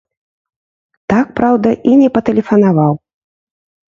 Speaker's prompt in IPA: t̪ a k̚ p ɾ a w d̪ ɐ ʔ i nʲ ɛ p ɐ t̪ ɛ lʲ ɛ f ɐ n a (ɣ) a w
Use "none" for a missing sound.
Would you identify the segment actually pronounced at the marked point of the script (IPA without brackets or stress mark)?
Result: v